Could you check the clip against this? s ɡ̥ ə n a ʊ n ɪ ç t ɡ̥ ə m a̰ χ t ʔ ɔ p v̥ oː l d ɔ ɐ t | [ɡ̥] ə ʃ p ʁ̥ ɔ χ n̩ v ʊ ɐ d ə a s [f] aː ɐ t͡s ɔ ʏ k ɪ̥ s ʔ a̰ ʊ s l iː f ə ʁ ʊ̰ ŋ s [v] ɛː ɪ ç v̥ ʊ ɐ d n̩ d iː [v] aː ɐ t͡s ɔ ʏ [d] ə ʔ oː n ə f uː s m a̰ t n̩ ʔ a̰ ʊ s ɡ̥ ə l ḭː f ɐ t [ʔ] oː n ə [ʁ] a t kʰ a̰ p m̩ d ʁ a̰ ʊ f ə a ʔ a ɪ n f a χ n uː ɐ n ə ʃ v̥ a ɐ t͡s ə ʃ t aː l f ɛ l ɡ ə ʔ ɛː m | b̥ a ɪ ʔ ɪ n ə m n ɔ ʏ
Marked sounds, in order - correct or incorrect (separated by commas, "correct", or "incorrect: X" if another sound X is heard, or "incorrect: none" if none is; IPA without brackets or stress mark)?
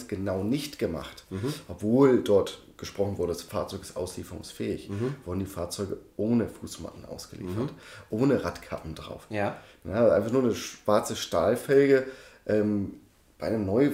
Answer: correct, correct, incorrect: f, incorrect: f, incorrect: ɡ, correct, correct